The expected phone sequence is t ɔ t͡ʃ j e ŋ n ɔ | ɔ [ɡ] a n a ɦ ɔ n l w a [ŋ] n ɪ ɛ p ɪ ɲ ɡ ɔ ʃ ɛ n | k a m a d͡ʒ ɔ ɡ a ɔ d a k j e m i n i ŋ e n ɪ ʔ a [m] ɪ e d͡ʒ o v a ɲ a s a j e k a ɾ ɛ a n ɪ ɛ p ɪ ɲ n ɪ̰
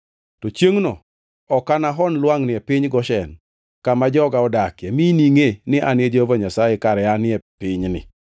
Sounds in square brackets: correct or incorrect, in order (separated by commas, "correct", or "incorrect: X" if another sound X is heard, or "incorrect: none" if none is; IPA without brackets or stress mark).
incorrect: k, correct, incorrect: n